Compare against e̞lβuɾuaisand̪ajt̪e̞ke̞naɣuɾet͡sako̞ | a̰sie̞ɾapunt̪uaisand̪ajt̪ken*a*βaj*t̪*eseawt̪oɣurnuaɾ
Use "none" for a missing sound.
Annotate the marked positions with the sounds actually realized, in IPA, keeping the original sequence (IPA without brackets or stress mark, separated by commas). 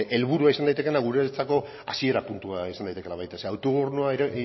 a, t̪